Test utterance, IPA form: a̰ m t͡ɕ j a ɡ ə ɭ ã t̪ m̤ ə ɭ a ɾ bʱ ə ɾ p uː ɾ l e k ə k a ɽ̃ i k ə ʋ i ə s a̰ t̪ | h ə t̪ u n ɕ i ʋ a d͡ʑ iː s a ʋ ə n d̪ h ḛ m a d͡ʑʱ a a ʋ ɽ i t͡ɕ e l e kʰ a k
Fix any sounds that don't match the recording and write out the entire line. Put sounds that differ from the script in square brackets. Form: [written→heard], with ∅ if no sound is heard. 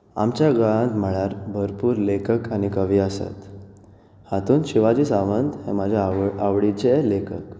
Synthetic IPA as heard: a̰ m t͡ɕ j a ɡ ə ɭ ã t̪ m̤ ə ɭ a ɾ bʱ ə ɾ p uː ɾ l e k ə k a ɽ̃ i k ə ʋ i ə s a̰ t̪ | h [ə→a] t̪ [u→uː] n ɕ i ʋ a d͡ʑ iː s a ʋ ə n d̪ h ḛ m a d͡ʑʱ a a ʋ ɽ i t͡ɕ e l e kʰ [a→ə] k

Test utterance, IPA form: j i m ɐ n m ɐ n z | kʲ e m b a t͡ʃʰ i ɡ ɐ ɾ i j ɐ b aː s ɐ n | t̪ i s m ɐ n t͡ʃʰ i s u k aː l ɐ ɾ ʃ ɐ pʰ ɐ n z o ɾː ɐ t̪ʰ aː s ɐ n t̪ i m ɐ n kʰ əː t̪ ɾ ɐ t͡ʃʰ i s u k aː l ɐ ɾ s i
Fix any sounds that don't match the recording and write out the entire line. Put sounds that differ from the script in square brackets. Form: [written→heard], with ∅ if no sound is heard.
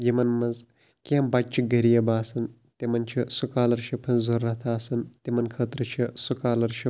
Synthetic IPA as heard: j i m ɐ n m ɐ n z | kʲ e m b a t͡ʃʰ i ɡ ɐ ɾ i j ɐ b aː s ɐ n | t̪ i [s→∅] m ɐ n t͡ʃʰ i s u k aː l ɐ ɾ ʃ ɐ pʰ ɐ n z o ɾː ɐ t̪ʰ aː s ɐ n t̪ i m ɐ n kʰ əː t̪ ɾ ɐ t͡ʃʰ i s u k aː l ɐ ɾ [s→ʃ] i

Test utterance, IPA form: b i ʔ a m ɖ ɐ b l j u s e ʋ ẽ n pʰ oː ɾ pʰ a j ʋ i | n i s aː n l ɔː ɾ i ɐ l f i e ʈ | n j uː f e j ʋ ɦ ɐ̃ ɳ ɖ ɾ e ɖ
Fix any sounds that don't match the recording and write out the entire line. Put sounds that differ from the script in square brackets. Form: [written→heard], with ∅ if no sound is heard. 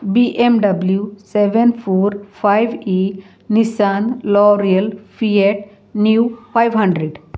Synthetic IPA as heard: b i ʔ [a→e] m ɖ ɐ b l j u s e ʋ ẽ n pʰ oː ɾ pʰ a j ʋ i | n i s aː n l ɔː ɾ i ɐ l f i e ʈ | n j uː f [e→a] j ʋ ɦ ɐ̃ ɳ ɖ ɾ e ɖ

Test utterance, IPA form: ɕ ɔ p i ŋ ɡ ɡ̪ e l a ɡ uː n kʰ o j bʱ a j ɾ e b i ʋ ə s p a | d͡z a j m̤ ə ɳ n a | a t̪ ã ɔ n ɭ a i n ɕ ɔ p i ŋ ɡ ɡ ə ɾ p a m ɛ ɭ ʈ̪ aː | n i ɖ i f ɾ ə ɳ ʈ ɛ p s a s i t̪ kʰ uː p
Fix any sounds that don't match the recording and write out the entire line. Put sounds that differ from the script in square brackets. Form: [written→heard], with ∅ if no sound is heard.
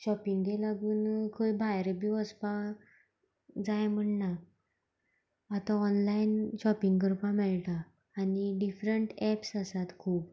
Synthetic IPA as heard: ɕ ɔ p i ŋ ɡ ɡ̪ e l a ɡ uː n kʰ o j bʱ a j ɾ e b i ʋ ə s p a | d͡z a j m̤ ə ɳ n a | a t̪ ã ɔ n [ɭ→l] a i n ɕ ɔ p i ŋ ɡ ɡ ə ɾ p a m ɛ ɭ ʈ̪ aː | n i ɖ i f ɾ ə ɳ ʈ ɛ p s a s [i→a] t̪ kʰ uː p

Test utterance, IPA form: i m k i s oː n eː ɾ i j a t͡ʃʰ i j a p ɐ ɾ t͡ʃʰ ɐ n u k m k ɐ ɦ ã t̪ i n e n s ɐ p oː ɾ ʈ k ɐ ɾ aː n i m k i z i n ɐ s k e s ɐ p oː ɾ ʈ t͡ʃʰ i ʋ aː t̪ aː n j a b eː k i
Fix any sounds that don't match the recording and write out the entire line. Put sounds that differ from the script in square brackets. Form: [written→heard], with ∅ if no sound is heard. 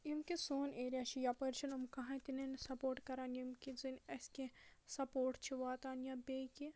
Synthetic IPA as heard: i m k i s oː n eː ɾ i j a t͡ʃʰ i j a p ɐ ɾ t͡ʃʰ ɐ n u [k→∅] m k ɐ ɦ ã t̪ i n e n s ɐ p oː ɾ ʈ k ɐ ɾ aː n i m k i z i n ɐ s k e s ɐ p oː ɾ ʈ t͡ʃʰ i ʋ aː t̪ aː n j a b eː k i

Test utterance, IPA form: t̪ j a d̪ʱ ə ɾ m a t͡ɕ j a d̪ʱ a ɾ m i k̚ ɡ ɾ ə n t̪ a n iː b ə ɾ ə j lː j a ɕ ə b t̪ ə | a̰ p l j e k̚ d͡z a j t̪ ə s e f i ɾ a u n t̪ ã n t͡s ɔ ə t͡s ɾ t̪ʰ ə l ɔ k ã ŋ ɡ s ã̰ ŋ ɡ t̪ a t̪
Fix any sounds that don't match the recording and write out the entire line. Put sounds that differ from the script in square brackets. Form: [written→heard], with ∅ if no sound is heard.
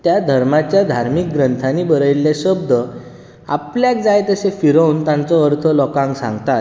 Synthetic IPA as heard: t̪ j a d̪ʱ ə ɾ m a t͡ɕ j a d̪ʱ a ɾ m i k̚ ɡ ɾ ə n [t̪→t̪ʰ] a n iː b ə ɾ ə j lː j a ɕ ə b [t̪→d̪] ə | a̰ p l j [e→a] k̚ d͡z a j t̪ ə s e f i ɾ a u n t̪ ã n t͡s ɔ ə [t͡s→∅] ɾ t̪ʰ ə l ɔ k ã ŋ ɡ s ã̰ ŋ ɡ t̪ a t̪

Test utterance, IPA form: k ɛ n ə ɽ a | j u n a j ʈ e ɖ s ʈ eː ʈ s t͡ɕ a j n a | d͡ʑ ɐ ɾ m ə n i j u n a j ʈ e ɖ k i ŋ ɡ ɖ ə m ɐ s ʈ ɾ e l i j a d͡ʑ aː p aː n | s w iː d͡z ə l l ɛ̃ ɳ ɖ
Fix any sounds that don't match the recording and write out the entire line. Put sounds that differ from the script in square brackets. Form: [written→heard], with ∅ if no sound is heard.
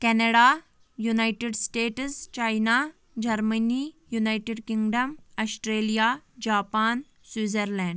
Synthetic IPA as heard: k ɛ n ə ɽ a | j u n a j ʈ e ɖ s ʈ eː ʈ s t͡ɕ a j n a | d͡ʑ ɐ ɾ m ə n i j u n a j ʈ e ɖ k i ŋ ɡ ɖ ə m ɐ s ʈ ɾ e l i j a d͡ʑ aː p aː n | s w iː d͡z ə [l→ɾ] l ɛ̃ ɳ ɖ

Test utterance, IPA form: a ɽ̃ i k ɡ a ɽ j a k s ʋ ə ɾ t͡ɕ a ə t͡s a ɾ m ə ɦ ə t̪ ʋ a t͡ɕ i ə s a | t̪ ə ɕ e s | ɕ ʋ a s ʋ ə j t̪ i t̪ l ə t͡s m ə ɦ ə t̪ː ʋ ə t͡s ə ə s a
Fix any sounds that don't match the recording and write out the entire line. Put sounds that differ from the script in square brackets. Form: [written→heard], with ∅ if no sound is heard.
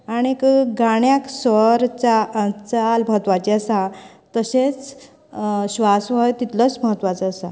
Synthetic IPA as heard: a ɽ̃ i k ɡ a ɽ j a k s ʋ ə ɾ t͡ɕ a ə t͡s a [ɾ→l] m ə ɦ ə t̪ ʋ a t͡ɕ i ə s a | t̪ ə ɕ e [s→t͡s] | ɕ ʋ a s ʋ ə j t̪ i t̪ l ə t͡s m ə ɦ ə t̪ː ʋ [ə→a] t͡s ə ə s a

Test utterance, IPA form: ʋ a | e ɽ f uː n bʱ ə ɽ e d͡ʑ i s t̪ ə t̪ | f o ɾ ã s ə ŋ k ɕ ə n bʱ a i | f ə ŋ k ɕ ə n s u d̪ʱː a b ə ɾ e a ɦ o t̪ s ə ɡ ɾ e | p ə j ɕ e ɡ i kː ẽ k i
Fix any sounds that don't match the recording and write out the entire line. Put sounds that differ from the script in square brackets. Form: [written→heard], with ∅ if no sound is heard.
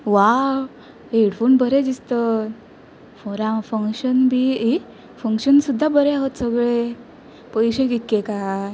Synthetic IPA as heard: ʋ a | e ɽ f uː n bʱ ə [ɽ→ɾ] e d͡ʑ i s t̪ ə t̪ | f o ɾ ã [s→f] ə ŋ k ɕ ə n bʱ [a→i] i | f ə ŋ k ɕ ə n s u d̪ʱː a b ə ɾ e a ɦ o t̪ s ə ɡ [ɾ→ɭ] e | p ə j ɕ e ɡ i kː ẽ k [i→a]

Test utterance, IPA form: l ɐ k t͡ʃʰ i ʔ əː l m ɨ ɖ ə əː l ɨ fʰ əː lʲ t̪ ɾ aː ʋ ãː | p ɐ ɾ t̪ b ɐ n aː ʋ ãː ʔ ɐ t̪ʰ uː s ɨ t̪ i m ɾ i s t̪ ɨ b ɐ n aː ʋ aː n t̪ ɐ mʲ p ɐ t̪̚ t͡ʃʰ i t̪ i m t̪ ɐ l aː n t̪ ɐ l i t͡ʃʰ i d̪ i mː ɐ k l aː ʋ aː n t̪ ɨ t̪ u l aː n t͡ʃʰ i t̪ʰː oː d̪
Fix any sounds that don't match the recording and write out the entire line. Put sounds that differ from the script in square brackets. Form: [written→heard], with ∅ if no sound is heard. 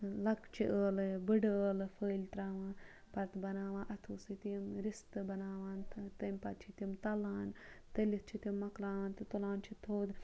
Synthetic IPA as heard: l ɐ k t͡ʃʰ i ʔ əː l [m→b] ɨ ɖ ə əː l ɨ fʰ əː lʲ t̪ ɾ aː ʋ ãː | p ɐ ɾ t̪ b ɐ n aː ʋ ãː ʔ ɐ t̪ʰ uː s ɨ t̪ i m ɾ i s t̪ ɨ b ɐ n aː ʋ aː n t̪ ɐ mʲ p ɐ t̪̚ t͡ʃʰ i t̪ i m t̪ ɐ l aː n t̪ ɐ l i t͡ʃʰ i [d̪→t̪] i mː ɐ k l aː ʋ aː n t̪ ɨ t̪ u l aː n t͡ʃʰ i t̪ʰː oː d̪

